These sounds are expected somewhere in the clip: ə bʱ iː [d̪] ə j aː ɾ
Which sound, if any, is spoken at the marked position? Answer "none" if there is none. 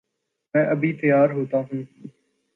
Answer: t̪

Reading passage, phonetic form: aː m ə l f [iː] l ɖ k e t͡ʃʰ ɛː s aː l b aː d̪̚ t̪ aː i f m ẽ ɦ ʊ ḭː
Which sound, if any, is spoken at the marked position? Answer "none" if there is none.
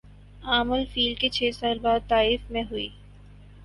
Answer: iː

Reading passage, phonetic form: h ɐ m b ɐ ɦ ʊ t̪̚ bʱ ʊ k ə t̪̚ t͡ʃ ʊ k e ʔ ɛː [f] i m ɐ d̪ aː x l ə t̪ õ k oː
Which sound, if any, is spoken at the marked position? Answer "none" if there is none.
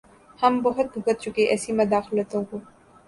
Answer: s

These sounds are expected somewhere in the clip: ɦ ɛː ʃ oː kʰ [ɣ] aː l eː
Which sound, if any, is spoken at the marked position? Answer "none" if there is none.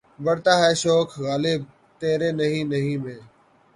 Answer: ɣ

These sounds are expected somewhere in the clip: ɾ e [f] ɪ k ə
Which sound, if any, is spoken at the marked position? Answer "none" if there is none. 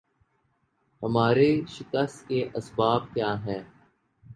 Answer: ʃ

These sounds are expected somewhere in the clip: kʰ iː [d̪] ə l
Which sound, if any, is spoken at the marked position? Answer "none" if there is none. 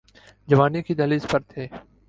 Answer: d̪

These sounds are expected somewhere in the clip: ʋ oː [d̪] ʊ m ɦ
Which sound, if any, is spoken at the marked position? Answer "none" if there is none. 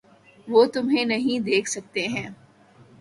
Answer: t̪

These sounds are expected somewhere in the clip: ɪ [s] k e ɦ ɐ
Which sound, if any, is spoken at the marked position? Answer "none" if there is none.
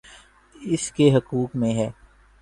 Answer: s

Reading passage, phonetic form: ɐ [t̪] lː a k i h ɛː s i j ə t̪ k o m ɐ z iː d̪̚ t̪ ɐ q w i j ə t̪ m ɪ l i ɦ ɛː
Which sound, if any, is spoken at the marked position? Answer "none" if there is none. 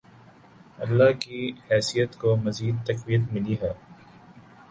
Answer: none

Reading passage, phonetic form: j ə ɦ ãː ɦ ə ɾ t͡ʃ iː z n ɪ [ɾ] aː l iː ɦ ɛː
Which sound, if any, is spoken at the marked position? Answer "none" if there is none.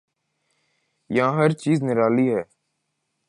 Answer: ɾ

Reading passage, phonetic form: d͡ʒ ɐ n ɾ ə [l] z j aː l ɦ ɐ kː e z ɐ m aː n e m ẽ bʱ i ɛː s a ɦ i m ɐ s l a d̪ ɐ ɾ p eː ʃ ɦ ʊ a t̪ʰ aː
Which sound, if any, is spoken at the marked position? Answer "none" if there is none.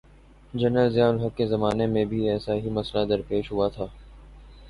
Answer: l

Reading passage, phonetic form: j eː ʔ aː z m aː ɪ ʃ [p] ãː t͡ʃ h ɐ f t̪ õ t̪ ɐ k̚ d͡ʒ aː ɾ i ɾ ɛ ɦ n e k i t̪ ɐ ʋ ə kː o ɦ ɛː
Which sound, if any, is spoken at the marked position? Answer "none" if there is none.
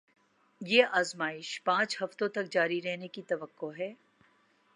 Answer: p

